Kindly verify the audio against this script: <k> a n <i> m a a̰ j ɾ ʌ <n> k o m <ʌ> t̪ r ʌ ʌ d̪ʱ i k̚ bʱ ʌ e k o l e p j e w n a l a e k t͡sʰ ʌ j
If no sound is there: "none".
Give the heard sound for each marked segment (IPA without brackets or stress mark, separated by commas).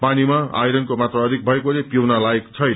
p, i, n, a